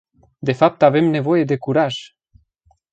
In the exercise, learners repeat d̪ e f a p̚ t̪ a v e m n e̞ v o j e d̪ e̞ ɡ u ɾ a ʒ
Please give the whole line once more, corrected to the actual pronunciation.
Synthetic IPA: d̪ e f a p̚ t̪ a v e m n e̞ v o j e d̪ e̞ k u ɾ a ʒ